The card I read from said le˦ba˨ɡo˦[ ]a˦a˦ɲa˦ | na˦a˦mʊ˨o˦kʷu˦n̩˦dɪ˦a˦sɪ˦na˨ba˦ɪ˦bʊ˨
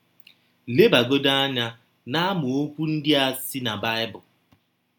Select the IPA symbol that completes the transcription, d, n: d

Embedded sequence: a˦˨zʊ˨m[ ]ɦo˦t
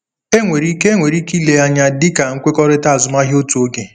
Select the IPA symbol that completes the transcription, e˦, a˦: a˦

